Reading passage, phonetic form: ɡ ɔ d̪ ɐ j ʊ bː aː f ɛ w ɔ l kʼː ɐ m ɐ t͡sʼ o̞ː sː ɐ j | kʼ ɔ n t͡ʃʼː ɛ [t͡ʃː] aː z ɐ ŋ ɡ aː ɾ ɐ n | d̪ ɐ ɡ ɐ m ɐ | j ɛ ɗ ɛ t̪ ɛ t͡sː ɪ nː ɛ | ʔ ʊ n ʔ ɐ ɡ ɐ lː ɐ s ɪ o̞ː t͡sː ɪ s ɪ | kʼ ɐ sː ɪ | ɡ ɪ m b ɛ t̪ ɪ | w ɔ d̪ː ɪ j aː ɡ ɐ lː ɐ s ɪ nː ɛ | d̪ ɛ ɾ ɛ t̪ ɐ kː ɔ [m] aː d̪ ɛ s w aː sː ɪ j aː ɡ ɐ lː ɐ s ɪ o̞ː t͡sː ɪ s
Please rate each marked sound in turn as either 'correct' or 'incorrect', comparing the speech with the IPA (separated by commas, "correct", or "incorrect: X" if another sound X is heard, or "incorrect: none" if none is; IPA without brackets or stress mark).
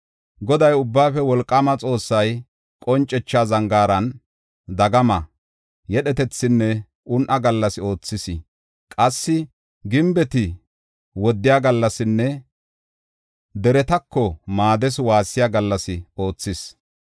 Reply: correct, correct